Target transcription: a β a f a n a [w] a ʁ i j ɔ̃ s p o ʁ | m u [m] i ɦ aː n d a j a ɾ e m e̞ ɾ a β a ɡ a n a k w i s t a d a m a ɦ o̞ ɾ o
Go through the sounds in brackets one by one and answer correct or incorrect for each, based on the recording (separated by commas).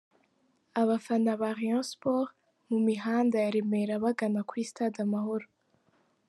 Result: incorrect, correct